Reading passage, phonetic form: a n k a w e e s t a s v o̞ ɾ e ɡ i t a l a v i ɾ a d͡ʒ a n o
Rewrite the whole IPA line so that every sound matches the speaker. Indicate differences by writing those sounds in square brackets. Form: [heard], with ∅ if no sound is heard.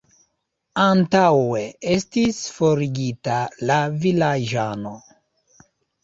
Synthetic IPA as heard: a n [t] a w e e s t [i] s [f] o̞ ɾ [i] ɡ i t a l a v i [l] a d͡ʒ a n o